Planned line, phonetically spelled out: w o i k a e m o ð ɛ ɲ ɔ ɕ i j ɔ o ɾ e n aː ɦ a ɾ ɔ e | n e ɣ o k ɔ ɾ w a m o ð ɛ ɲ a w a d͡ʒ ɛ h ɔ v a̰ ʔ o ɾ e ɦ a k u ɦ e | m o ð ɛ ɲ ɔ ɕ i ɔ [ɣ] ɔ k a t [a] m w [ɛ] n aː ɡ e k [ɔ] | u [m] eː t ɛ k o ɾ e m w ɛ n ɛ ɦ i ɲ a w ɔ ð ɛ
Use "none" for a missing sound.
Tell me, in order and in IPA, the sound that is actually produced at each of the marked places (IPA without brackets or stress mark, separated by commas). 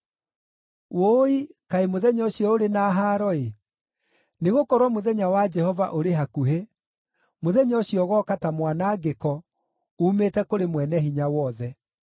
ɣ, a, a, ɔ, m